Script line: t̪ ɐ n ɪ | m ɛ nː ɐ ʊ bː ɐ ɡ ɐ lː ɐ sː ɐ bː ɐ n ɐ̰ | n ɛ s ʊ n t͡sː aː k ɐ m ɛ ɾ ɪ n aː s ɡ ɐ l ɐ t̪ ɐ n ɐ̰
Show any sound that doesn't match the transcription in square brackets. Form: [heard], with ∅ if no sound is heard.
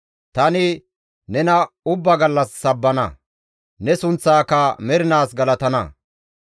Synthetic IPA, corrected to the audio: t̪ ɐ n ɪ | [n] ɛ [n] ɐ ʊ bː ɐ ɡ ɐ lː ɐ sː ɐ bː ɐ n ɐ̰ | n ɛ s ʊ n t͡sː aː k ɐ m ɛ ɾ ɪ n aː s ɡ ɐ l ɐ t̪ ɐ n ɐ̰